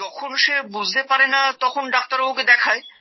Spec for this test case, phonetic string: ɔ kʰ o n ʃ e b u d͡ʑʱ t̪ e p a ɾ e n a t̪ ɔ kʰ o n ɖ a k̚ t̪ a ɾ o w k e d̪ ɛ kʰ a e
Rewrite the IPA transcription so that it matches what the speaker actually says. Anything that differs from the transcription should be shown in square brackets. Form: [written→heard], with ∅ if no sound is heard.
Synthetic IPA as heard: ɔ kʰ o n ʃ e b u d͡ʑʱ t̪ e p a ɾ e n a t̪ ɔ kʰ o n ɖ a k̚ t̪ a ɾ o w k e d̪ ɛ kʰ a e